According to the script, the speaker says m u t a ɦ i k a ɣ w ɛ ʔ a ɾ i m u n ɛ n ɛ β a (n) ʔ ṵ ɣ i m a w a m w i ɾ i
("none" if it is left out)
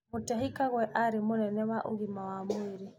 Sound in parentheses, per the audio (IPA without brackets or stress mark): none